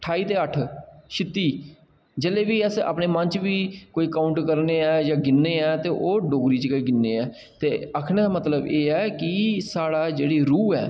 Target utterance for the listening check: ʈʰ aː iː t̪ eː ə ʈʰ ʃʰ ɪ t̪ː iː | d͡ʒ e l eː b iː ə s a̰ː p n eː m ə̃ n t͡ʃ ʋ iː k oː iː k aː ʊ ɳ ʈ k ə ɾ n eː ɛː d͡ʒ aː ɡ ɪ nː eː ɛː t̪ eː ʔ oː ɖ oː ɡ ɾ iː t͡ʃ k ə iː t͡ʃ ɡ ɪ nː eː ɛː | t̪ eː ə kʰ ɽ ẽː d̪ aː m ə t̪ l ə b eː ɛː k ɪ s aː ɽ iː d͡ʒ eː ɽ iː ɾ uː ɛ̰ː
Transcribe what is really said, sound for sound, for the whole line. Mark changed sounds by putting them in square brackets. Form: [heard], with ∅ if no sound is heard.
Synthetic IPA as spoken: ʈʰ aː iː t̪ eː ə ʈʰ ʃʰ ɪ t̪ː iː | d͡ʒ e l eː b iː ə s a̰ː p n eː m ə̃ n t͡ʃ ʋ iː k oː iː k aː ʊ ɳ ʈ k ə ɾ n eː ɛː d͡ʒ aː ɡ ɪ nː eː ɛː t̪ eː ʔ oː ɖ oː ɡ ɾ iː t͡ʃ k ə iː [∅] ɡ ɪ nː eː ɛː | t̪ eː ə kʰ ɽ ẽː d̪ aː m ə t̪ l ə b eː ɛː k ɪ s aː ɽ [aː] d͡ʒ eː ɽ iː ɾ uː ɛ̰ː

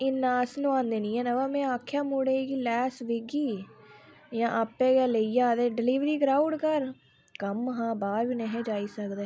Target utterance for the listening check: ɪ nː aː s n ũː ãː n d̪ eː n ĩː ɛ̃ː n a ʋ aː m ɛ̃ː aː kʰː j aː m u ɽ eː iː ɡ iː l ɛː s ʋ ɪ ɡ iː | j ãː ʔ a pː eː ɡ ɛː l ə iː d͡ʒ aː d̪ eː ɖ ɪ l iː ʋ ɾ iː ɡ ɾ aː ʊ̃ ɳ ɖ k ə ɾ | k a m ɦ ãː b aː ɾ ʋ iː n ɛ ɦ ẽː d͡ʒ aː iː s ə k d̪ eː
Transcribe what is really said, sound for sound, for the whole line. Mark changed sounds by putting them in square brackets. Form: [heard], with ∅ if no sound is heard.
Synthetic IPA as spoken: ɪ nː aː s n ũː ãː n d̪ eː n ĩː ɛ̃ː n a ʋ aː m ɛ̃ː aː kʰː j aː m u ɽ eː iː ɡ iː l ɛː s ʋ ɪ ɡ iː | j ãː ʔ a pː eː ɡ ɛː l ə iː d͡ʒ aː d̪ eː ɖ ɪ l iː ʋ ɾ iː ɡ ɾ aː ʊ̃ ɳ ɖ k ə ɾ | k [ə] m ɦ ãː b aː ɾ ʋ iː n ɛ ɦ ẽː d͡ʒ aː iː s ə k d̪ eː

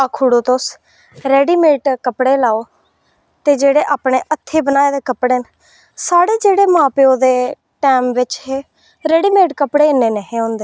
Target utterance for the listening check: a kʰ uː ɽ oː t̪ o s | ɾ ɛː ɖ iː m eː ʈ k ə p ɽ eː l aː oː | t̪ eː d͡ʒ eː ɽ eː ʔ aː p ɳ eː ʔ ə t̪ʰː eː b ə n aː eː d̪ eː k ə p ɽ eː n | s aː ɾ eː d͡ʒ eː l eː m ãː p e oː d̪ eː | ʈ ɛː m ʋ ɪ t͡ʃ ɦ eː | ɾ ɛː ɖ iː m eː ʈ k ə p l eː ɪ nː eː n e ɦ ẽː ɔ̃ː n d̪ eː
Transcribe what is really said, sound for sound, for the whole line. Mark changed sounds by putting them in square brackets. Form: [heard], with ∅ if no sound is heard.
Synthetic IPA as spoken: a kʰ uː ɽ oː t̪ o s | ɾ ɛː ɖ iː m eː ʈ k ə p ɽ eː l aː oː | t̪ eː d͡ʒ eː ɽ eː ʔ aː p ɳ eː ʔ ə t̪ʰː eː b ə n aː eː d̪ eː k ə p ɽ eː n | s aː [ɽ] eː d͡ʒ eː [ɽ] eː m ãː p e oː d̪ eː | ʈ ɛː m ʋ ɪ t͡ʃ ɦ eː | ɾ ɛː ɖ iː m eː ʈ k ə p [ɽ] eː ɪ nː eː n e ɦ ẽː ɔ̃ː n d̪ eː

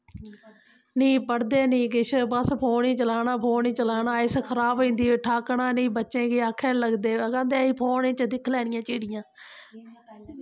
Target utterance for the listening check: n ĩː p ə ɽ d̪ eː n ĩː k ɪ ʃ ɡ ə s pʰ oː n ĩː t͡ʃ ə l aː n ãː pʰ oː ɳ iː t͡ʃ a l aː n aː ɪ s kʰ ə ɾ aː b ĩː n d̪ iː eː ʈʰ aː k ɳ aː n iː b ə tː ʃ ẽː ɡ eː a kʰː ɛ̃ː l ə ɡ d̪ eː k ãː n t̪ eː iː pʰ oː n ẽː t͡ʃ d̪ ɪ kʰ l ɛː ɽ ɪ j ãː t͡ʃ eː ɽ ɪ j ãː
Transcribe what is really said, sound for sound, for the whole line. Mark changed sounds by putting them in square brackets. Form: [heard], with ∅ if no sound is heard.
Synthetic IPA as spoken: n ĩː p ə ɽ d̪ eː n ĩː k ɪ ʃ [b] ə s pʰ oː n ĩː t͡ʃ ə l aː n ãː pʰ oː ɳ iː t͡ʃ [ə] l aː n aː ɪ s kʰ ə ɾ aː b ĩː n d̪ iː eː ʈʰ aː k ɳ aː n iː b ə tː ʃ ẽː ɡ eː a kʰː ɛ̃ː l ə ɡ d̪ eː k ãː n [d̪] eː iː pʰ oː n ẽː t͡ʃ d̪ ɪ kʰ l ɛː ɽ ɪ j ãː t͡ʃ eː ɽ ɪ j ãː

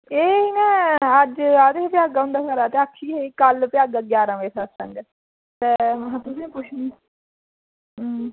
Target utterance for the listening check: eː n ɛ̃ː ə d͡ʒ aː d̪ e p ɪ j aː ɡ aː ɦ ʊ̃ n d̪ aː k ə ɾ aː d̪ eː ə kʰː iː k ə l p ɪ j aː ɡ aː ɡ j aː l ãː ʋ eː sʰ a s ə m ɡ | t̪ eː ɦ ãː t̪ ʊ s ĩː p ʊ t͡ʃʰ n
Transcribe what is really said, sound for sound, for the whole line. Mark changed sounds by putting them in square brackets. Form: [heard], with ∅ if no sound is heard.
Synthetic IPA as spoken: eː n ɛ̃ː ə d͡ʒ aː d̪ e p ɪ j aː ɡ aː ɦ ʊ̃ n d̪ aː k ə ɾ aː [t̪] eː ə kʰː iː k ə l p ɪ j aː ɡ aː ɡ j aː [ɾ] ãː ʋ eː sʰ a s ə [ŋ] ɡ | t̪ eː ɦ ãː t̪ ʊ s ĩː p ʊ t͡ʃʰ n

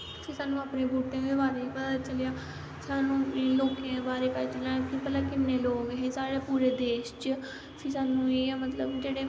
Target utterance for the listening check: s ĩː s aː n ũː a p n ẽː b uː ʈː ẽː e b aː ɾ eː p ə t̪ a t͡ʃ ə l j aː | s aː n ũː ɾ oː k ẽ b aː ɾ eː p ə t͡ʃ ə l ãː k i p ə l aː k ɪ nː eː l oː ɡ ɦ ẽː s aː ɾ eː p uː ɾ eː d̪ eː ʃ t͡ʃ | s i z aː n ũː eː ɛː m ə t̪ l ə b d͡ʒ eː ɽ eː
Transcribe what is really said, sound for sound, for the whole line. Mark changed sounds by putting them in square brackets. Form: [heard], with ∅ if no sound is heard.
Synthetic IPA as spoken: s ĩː s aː n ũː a p n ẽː b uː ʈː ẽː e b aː ɾ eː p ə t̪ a t͡ʃ ə l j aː | s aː n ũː [l] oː k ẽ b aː ɾ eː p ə t͡ʃ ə l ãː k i p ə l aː k ɪ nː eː l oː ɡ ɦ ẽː s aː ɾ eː p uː ɾ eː d̪ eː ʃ t͡ʃ | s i [s] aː n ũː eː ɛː m ə t̪ l ə b d͡ʒ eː ɽ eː

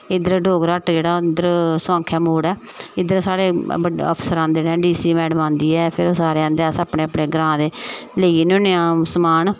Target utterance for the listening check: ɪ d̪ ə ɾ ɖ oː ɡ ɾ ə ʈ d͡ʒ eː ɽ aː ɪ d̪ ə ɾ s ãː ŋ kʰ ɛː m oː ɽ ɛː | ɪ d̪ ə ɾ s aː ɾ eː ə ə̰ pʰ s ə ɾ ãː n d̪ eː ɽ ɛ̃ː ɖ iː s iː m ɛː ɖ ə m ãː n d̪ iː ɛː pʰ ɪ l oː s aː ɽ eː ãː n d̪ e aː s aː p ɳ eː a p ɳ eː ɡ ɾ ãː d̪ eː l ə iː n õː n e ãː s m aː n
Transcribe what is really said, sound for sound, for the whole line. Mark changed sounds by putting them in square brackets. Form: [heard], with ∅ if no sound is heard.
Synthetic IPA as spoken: ɪ d̪ ə ɾ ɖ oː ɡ ɾ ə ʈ d͡ʒ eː ɽ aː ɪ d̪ ə ɾ s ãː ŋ kʰ ɛː m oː ɽ ɛː | ɪ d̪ ə ɾ s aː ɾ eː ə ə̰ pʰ s ə ɾ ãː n d̪ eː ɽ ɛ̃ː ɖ iː s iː m ɛː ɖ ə m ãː n d̪ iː ɛː pʰ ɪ [ɾ] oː s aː [ɾ] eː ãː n d̪ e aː s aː p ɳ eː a p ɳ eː ɡ ɾ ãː d̪ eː l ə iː n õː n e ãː s m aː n

